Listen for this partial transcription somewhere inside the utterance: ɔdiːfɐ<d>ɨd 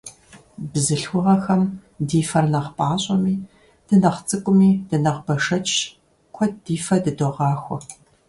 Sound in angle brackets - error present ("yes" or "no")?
no